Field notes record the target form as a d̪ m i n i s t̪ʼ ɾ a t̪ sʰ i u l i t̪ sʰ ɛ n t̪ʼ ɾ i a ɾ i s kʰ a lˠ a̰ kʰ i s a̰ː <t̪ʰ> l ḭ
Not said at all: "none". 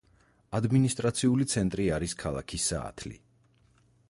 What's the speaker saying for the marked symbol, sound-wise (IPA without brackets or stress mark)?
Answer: t̪ʰ